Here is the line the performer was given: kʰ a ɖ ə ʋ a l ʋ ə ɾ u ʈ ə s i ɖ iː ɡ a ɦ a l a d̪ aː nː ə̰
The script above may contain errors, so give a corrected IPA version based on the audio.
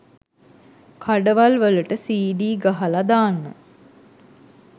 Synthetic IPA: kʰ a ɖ ə ʋ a l ʋ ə l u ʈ ə s iː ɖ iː ɡ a ɦ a l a d̪ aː nː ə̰